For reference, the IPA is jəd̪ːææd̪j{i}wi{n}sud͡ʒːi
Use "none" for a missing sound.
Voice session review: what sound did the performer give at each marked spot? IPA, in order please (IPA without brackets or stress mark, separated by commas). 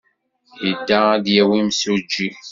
æ, m